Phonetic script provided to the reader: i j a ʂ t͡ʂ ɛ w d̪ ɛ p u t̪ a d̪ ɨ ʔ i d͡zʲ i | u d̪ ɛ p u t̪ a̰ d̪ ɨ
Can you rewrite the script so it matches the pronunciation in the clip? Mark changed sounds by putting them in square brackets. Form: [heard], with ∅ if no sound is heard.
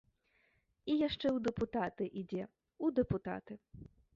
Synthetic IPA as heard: i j a ʂ t͡ʂ ɛ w d̪ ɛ p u t̪ a [t̪] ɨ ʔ i d͡zʲ [ɛ] | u d̪ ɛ p u t̪ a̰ [t̪] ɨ